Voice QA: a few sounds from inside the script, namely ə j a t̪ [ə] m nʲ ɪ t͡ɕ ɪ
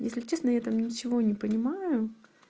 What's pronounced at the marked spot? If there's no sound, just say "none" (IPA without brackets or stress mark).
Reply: a